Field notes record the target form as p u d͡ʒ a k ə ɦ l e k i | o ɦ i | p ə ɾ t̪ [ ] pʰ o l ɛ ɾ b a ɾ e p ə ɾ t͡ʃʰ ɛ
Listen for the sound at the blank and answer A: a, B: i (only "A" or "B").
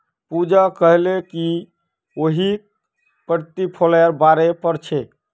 B